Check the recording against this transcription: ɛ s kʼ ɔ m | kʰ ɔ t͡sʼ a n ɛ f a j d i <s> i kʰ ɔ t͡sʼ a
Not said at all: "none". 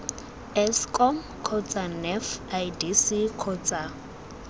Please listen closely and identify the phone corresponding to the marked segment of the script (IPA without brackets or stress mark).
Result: s